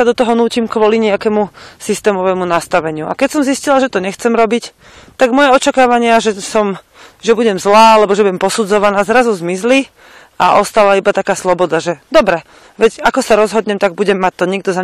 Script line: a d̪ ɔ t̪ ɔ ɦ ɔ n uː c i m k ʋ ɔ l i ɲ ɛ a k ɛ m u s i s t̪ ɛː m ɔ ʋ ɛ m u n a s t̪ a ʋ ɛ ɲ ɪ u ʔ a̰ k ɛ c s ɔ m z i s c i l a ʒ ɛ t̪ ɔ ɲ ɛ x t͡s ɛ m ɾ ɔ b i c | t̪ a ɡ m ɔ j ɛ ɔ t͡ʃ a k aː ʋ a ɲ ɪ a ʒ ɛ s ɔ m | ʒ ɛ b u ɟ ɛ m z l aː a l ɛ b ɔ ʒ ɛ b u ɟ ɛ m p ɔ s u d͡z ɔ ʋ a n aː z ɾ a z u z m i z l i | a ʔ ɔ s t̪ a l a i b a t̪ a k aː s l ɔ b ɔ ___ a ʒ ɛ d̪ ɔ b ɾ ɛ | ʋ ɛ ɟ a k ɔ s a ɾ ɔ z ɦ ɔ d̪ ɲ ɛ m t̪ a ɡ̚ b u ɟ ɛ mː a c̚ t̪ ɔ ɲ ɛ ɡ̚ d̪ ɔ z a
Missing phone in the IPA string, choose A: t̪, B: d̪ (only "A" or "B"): B